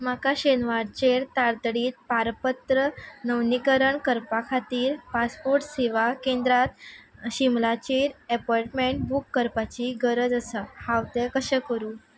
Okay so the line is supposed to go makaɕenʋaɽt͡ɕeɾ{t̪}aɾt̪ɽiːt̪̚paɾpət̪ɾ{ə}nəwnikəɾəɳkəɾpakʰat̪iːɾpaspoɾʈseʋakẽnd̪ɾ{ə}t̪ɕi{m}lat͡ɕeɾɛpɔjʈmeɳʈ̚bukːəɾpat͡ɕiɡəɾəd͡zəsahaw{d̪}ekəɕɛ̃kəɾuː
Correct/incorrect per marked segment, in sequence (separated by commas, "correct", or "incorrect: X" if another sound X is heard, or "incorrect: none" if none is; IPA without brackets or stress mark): correct, correct, incorrect: a, correct, incorrect: t̪